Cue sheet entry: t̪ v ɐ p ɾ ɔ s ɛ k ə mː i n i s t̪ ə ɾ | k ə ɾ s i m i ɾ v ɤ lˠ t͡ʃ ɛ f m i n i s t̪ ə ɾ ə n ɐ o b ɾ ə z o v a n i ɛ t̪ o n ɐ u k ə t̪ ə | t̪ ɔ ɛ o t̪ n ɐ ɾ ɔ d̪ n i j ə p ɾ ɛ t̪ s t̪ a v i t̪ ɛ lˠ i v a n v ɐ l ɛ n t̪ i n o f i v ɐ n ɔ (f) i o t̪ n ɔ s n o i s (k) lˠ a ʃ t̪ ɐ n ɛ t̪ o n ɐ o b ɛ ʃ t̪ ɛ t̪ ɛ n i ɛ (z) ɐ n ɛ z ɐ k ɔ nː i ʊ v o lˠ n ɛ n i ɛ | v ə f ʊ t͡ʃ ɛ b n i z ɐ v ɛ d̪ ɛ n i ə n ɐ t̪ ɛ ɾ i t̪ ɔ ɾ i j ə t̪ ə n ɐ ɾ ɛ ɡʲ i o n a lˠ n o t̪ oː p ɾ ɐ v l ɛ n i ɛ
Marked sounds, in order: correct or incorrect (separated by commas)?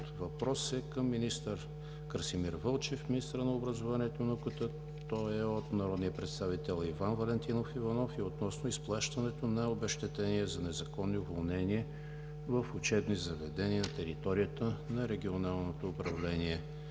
correct, incorrect, correct